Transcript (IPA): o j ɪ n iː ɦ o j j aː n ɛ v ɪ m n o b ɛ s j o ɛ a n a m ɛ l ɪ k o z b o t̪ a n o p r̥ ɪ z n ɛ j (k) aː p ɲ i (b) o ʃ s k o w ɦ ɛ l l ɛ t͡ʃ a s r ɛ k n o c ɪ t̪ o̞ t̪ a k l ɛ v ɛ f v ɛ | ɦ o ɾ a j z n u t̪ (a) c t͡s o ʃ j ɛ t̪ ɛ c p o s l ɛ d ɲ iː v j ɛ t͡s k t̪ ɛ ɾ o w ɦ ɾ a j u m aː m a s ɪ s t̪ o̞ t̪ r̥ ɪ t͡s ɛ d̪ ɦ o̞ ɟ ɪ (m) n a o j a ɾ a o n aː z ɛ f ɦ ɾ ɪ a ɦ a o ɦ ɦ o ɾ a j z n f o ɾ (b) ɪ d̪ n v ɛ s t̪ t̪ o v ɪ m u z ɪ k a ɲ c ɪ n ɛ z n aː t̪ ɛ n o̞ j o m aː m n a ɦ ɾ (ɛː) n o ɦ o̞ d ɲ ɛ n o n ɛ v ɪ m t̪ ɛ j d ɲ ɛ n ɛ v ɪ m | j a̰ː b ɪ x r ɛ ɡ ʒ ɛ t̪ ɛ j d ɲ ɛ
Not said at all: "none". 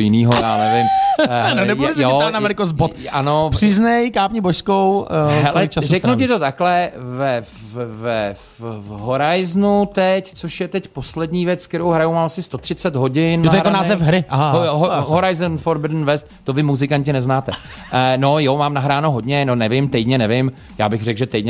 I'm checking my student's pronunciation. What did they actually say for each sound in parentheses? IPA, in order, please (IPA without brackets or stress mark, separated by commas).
k, b, ɛ, n, b, aː